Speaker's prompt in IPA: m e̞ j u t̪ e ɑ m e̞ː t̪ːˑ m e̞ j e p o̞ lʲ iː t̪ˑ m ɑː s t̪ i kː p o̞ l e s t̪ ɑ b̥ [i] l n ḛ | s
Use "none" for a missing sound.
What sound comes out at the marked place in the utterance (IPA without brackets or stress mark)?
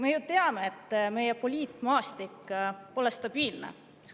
iː